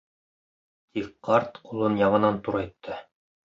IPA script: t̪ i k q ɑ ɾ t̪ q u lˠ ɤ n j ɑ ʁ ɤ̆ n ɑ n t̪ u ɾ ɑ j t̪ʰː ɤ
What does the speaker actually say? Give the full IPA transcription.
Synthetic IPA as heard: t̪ i k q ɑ ɾ t̪ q u lˠ ɤ n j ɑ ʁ ɤ̆ n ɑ n t̪ u ɾ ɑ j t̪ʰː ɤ